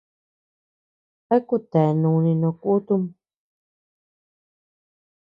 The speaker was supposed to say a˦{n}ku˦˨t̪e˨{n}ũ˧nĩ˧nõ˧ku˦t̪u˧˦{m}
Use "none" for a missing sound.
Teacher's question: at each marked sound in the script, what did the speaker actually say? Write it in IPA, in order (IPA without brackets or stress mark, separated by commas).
none, n, m